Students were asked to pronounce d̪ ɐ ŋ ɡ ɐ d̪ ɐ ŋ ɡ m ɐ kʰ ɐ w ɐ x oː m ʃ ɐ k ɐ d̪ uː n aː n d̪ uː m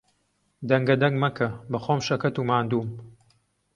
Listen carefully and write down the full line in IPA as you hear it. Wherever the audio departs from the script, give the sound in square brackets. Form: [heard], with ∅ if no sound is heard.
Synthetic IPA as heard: d̪ ɐ ŋ ɡ ɐ d̪ ɐ ŋ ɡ m ɐ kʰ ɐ [b] ɐ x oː m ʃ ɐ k ɐ [t̪] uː [m] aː n d̪ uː m